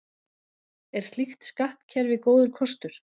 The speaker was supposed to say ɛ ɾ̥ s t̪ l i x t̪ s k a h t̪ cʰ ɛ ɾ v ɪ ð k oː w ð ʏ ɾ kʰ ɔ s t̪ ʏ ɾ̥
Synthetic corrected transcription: ɛ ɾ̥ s t̪ l i x t̪ s k a h t̪ cʰ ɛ ɾ v ɪ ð k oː w ð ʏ ɾ kʰ ɔ s t̪ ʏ ɾ̥